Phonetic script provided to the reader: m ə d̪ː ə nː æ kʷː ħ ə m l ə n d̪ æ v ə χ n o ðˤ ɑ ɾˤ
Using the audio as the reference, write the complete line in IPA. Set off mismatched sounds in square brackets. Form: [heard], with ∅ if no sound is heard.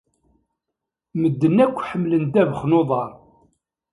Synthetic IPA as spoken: m ə d̪ː ə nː æ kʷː ħ ə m l ə n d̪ æ v ə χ n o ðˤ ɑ ɾˤ